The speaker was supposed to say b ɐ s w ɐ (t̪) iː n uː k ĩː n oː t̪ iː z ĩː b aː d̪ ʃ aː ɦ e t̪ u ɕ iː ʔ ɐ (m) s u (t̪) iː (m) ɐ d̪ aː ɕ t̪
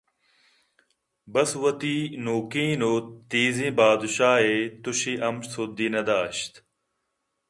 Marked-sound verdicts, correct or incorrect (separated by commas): correct, correct, incorrect, incorrect